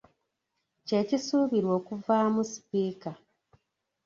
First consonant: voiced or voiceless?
voiceless